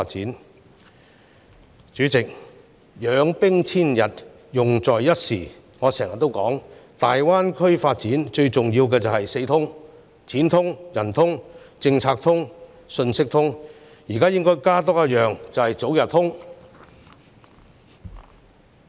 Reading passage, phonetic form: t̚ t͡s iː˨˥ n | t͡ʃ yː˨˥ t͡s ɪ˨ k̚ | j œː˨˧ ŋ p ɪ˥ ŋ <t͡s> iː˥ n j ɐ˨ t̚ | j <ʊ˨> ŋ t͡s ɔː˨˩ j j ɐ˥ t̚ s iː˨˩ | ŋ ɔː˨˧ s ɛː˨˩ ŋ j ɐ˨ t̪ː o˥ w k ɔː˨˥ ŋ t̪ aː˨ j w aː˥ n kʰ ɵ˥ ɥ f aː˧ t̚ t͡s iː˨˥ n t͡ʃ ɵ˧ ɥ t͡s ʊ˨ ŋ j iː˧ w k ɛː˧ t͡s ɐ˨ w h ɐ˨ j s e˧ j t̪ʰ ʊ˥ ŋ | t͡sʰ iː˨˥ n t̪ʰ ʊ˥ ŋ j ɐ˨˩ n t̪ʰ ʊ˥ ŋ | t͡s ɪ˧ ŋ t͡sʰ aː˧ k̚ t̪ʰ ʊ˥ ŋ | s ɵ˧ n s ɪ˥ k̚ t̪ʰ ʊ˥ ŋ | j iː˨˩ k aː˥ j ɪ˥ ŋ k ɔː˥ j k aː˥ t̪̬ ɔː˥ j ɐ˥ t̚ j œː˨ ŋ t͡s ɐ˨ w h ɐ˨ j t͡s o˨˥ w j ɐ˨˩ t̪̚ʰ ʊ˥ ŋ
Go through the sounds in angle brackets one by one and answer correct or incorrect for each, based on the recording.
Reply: incorrect, correct

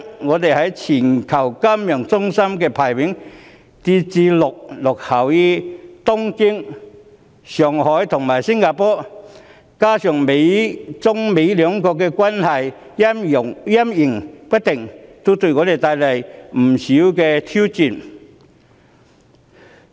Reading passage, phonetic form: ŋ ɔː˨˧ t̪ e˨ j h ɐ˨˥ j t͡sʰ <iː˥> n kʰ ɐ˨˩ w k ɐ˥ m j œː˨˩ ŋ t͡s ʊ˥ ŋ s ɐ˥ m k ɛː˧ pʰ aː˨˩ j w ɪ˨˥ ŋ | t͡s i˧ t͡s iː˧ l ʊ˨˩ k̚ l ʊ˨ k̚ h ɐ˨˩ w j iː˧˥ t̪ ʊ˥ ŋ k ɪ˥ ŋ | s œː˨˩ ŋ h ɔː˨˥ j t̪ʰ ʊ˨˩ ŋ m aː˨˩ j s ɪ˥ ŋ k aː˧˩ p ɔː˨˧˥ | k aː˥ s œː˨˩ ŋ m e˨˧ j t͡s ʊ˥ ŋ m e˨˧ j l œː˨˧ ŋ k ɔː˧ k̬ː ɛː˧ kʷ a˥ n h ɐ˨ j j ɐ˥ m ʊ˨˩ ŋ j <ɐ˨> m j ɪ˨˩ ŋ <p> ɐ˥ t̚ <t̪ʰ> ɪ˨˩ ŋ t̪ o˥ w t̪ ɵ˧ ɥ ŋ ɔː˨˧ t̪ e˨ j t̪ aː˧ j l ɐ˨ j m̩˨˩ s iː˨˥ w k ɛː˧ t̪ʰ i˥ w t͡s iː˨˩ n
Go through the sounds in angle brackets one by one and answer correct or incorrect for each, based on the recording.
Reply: incorrect, incorrect, correct, incorrect

